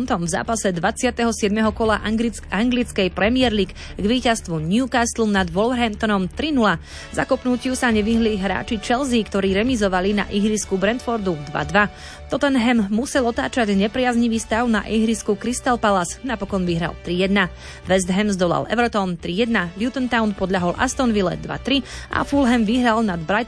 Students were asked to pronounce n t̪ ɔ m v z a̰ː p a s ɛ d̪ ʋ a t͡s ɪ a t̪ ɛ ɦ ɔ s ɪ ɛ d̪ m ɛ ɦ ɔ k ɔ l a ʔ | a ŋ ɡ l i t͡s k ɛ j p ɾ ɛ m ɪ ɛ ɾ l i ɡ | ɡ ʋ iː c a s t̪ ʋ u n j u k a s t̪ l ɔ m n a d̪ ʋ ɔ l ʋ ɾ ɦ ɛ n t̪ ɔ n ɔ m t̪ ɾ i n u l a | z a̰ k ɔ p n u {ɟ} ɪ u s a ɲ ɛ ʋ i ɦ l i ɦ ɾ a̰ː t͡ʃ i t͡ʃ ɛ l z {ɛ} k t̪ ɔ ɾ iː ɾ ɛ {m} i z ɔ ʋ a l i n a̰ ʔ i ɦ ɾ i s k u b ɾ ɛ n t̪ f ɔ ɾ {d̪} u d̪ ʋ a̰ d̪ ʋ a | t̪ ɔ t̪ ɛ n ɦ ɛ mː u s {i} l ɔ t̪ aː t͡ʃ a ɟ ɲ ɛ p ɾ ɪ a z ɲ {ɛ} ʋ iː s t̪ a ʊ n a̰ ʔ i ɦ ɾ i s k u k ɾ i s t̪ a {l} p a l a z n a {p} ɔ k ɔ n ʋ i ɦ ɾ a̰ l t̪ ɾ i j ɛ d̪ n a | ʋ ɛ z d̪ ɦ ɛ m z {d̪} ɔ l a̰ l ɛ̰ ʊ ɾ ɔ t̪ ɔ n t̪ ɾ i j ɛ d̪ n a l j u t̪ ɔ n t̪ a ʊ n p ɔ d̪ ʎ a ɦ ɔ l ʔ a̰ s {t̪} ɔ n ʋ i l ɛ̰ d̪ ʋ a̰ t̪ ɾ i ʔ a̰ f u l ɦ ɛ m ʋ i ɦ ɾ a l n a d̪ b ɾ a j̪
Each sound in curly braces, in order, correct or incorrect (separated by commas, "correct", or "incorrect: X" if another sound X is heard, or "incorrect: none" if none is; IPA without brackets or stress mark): incorrect: c, incorrect: i, correct, correct, incorrect: ɛ, incorrect: i, correct, correct, correct, correct